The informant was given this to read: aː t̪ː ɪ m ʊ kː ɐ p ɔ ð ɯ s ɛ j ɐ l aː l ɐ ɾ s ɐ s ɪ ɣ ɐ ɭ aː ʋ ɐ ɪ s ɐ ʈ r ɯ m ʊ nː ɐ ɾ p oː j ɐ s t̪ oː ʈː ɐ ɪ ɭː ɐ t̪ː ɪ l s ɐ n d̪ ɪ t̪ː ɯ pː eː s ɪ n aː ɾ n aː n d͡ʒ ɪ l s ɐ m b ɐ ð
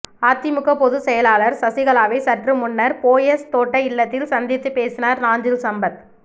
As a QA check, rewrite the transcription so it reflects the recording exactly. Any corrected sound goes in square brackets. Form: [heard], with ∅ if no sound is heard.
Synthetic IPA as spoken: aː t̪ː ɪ m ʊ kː ɐ p ɔ ð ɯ s ɛ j ɐ l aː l ɐ ɾ s ɐ s ɪ ɣ ɐ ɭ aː ʋ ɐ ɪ s ɐ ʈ r ɯ m ʊ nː ɐ ɾ p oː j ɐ s t̪ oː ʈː ɐ ɪ ɭː ɐ t̪ː ɪ l s ɐ n d̪ ɪ t̪ː ɯ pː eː s ɪ n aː ɾ n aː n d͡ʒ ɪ l s ɐ m b ɐ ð